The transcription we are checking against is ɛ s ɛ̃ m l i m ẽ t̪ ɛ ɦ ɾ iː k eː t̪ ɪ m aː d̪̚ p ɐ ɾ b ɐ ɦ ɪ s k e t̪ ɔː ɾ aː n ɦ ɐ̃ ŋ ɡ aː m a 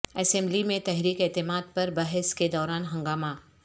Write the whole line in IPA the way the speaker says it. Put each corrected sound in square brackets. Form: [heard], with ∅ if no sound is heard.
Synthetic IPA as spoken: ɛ s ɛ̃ m l i m ẽ t̪ ɛ ɦ ɾ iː k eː t̪ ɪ m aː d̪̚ p ɐ ɾ b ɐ ɦ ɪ s k e [d̪] ɔː ɾ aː n ɦ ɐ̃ ŋ ɡ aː m a

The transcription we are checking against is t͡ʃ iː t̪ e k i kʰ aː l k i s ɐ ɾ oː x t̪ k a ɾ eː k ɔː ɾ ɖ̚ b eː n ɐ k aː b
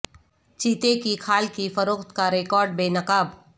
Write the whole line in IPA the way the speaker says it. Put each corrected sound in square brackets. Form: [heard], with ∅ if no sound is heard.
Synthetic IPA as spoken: t͡ʃ iː t̪ e k i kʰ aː l k i [f] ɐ ɾ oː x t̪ k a ɾ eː k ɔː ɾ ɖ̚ b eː n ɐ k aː b

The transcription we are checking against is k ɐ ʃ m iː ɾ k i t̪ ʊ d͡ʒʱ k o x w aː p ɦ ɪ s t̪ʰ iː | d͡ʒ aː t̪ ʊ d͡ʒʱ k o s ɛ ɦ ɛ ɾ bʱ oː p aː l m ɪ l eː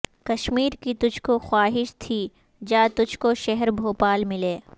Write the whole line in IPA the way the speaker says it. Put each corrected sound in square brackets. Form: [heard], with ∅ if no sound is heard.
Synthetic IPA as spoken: k ɐ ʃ m iː ɾ k i t̪ ʊ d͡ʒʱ k o x w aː [∅] ɦ ɪ [ʃ] t̪ʰ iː | d͡ʒ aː t̪ ʊ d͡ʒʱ k o [ʃ] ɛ ɦ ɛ ɾ bʱ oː p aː l m ɪ l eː

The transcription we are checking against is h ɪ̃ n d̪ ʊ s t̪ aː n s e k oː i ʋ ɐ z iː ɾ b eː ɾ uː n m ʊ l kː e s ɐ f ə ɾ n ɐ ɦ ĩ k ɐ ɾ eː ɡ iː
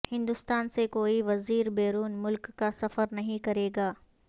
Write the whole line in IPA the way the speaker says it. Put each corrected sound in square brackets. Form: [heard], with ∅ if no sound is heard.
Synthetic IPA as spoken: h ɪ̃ n d̪ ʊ s t̪ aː n s e k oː i ʋ ɐ z iː ɾ b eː ɾ uː n m ʊ l kː [a] s ɐ f ə ɾ n ɐ ɦ ĩ k ɐ ɾ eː ɡ [aː]

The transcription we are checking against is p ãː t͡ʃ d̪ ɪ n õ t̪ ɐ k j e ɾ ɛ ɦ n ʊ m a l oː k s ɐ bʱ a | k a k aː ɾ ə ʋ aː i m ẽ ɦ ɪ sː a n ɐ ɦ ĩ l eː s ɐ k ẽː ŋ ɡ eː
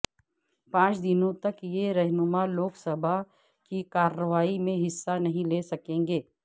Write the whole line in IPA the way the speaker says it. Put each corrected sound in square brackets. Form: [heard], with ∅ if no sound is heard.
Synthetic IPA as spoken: p ãː t͡ʃ d̪ ɪ n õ t̪ ɐ k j e ɾ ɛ ɦ n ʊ m a l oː k s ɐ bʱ a | k [i] k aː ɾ ə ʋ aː i m ẽ ɦ ɪ sː a n ɐ ɦ ĩ l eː s ɐ k ẽː ŋ ɡ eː

